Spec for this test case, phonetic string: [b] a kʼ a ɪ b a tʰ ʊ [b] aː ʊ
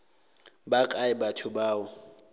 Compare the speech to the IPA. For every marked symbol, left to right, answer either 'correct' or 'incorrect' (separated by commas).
correct, correct